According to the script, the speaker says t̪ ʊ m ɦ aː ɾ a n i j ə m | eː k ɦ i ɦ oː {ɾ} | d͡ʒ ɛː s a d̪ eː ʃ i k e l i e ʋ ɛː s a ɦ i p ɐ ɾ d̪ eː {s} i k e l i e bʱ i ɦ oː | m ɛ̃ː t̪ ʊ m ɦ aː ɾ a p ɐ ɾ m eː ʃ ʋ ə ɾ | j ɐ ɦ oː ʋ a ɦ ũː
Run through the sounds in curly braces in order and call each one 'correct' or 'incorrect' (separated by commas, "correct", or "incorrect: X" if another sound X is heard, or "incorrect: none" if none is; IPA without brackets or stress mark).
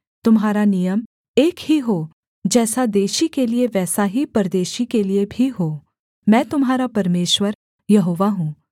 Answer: incorrect: none, incorrect: ʃ